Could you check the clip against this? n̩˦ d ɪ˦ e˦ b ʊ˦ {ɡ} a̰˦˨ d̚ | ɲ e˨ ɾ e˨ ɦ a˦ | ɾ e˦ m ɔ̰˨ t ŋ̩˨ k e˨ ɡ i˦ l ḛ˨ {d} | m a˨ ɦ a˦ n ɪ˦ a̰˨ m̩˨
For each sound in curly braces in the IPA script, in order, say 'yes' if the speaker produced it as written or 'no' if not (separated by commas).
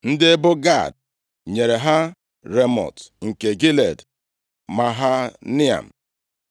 yes, yes